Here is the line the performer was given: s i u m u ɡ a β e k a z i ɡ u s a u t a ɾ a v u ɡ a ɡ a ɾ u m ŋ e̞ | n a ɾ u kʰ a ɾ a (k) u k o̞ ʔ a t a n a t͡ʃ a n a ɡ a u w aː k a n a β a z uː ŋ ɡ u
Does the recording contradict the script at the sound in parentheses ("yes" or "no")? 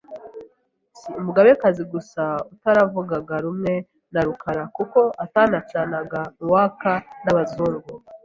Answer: no